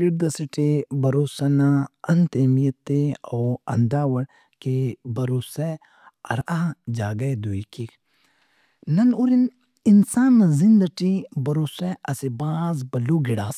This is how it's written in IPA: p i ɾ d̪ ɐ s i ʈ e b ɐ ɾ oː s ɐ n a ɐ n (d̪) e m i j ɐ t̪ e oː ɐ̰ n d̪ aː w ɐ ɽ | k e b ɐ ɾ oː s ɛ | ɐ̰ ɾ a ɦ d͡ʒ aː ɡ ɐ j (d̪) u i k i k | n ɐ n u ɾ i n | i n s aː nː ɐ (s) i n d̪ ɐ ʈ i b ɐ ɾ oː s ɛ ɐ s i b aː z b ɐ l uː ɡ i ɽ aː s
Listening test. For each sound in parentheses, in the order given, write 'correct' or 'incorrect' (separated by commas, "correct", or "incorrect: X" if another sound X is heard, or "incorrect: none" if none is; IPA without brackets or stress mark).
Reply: incorrect: t̪, correct, incorrect: z